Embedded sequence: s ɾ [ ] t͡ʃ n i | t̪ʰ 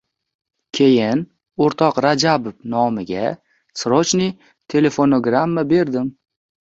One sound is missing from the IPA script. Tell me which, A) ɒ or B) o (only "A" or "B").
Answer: B